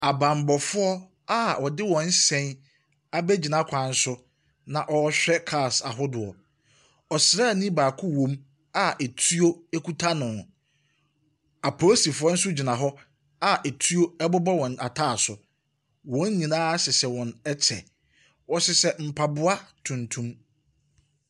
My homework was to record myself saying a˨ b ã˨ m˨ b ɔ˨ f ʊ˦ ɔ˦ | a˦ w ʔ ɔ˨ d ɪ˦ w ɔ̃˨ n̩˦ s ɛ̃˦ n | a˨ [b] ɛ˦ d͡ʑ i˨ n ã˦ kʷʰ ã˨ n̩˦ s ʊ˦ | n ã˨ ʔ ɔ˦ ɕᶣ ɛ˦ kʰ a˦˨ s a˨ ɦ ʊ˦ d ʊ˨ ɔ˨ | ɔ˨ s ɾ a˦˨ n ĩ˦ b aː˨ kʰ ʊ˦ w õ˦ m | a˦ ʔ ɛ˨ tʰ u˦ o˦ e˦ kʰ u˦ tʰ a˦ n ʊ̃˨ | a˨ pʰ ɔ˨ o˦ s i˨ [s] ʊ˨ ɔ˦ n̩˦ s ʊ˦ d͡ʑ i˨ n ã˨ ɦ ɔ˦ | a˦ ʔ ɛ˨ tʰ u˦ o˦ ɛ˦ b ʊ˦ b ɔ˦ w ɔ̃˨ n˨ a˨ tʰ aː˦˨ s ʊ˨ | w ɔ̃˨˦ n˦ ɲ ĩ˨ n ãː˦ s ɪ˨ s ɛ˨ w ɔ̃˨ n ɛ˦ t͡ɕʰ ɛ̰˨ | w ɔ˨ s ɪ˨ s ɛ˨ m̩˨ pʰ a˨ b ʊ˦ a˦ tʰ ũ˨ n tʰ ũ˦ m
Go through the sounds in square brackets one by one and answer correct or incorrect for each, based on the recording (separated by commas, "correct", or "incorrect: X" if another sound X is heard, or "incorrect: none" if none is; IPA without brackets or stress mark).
correct, incorrect: f